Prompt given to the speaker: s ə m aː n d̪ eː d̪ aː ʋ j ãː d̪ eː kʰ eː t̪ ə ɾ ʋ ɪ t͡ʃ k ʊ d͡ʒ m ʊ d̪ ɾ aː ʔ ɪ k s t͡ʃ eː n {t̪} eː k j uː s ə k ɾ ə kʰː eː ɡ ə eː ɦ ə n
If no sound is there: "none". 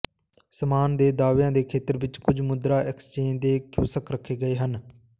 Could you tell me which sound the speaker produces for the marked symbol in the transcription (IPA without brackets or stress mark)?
d̪